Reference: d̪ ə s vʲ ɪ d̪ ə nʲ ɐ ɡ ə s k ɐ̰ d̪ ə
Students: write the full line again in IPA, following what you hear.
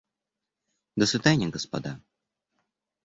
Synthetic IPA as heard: d̪ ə s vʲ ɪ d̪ a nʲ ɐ ɡ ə s p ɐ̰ d̪ a